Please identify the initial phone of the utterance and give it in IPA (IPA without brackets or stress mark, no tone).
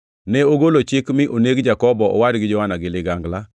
n